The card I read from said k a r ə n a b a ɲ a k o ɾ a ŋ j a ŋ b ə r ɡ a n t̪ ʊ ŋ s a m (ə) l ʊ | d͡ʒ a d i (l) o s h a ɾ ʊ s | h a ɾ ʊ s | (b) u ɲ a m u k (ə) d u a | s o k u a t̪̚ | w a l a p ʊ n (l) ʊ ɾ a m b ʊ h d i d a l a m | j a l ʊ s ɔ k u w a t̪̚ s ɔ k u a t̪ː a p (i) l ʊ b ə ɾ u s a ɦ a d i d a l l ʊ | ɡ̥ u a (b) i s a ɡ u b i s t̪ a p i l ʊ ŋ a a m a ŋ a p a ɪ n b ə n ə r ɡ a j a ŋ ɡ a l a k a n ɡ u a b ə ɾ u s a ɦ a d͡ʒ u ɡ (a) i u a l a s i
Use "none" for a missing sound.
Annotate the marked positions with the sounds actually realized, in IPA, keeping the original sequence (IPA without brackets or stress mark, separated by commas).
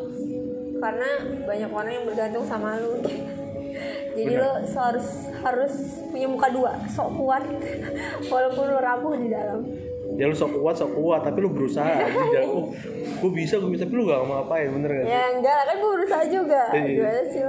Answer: a, l, p, a, l, i, b, a